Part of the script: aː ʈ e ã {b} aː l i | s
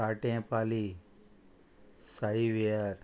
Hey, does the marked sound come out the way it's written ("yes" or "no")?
no